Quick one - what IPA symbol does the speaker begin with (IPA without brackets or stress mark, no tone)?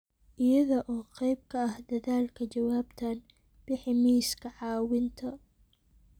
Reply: ʔ